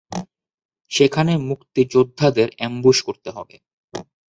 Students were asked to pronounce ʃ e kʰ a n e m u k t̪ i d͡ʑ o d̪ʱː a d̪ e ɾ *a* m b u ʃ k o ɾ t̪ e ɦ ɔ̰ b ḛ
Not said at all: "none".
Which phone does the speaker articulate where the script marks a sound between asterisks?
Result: ɛ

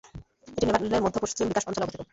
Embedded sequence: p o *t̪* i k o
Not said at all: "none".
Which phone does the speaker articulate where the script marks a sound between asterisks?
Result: t̪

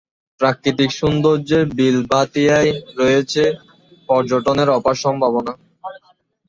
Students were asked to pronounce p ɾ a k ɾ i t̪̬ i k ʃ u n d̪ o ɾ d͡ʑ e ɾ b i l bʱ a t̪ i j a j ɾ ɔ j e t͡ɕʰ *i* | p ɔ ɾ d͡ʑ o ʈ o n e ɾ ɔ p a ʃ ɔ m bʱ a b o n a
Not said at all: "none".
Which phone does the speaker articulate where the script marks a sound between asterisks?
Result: e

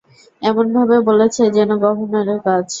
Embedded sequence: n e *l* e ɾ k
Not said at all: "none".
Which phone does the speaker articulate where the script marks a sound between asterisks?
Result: ɾ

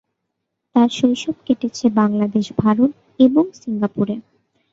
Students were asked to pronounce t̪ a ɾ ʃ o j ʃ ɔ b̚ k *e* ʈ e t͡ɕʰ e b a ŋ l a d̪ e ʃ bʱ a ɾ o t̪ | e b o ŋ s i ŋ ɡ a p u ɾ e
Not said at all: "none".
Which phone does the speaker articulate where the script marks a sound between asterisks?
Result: e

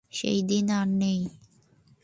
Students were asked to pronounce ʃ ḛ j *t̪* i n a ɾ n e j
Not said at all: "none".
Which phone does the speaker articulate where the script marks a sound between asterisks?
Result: d̪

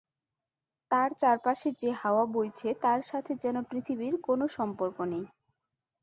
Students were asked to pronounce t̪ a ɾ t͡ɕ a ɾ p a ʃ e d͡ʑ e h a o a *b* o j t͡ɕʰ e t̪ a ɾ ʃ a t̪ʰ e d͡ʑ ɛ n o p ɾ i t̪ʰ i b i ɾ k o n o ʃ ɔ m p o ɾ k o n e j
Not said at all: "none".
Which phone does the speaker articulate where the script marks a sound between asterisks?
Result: b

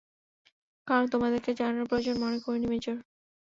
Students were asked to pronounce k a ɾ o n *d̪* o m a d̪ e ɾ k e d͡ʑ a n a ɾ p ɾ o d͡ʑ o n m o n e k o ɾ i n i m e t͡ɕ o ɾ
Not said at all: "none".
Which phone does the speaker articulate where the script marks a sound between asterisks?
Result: t̪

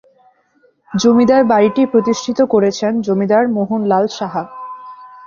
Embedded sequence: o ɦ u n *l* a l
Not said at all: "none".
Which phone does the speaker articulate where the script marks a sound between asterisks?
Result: l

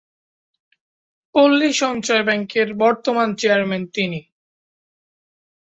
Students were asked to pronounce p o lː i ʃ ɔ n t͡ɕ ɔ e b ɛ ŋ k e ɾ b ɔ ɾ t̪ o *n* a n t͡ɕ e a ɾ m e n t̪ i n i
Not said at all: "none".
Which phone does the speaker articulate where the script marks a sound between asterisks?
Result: m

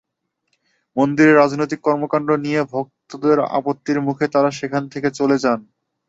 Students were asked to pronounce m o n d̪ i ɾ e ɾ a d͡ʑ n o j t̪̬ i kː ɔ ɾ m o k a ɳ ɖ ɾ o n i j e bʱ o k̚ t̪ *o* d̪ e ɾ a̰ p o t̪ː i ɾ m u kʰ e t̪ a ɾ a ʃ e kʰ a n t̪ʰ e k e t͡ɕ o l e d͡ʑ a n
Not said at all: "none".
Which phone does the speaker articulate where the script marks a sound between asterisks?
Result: o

